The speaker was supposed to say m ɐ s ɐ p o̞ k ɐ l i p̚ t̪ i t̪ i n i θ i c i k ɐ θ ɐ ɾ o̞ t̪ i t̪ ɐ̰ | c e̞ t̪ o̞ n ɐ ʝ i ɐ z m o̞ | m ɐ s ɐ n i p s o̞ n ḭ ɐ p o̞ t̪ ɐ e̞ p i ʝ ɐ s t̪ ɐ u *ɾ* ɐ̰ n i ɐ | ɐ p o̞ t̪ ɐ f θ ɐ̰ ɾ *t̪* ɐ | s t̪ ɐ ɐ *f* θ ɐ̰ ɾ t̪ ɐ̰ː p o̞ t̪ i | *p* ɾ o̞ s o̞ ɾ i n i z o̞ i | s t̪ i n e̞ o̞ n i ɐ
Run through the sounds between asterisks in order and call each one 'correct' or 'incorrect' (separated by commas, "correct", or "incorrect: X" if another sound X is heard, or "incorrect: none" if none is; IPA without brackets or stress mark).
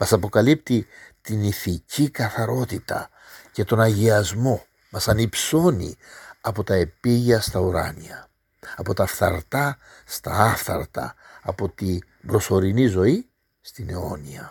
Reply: correct, correct, correct, incorrect: b